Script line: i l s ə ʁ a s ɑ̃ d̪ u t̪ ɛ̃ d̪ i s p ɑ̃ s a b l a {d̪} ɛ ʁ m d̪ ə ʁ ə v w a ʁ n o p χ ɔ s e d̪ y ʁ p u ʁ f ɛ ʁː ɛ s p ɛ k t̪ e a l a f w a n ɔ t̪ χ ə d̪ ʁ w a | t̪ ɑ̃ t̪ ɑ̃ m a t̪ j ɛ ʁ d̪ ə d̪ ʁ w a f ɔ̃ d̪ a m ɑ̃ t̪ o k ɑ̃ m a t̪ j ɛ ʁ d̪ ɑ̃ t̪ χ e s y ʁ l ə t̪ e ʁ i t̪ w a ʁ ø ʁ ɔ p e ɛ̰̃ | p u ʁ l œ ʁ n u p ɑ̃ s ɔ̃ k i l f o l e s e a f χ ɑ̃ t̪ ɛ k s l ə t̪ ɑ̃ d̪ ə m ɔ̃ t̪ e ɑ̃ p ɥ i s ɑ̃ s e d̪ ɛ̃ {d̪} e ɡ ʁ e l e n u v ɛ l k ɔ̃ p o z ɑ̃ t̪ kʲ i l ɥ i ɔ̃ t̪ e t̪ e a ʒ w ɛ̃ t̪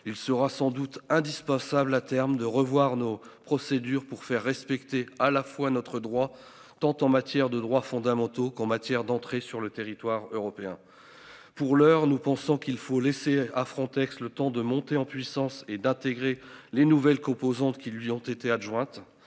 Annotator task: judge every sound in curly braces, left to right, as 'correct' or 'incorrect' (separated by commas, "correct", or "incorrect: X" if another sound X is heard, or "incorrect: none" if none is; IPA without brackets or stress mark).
incorrect: t̪, incorrect: t̪